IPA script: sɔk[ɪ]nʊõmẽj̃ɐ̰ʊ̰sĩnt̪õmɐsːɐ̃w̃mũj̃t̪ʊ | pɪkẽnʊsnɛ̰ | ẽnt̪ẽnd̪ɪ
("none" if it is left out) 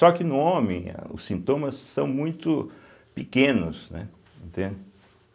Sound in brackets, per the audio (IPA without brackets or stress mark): ɪ